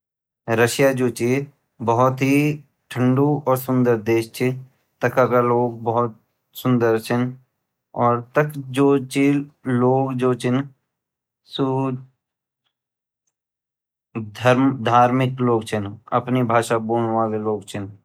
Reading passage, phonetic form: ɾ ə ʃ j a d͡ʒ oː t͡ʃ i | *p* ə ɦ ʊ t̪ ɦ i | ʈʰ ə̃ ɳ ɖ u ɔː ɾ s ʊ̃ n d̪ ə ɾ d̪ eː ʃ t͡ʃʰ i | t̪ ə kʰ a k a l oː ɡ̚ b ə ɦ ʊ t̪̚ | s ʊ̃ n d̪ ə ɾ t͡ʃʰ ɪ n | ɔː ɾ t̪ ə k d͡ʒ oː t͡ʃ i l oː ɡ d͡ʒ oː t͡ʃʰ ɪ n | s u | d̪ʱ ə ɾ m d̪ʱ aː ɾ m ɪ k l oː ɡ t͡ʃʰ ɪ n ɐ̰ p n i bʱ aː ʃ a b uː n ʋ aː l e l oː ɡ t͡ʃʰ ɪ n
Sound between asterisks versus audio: incorrect: b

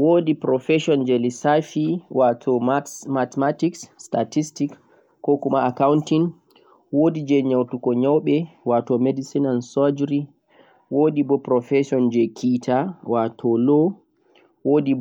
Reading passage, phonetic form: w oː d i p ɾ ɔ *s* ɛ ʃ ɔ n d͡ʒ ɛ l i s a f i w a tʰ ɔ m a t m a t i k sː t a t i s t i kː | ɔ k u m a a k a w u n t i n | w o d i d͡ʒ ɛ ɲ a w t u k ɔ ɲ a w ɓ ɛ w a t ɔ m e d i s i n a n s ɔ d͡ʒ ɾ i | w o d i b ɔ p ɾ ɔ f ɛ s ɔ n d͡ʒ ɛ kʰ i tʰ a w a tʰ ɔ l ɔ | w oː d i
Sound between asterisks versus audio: incorrect: f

